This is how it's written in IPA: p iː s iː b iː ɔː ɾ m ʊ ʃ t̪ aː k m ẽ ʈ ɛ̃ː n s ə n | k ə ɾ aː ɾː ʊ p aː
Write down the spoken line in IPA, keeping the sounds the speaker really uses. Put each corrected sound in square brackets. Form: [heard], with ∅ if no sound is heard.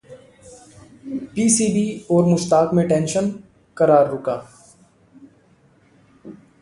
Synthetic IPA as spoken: p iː s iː b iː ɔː ɾ m ʊ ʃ t̪ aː k m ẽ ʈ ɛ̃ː n [ʃ] ə n | k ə ɾ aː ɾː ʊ [k] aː